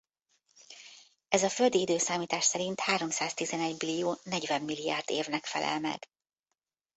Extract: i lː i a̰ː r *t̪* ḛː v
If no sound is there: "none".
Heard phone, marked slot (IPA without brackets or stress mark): d̪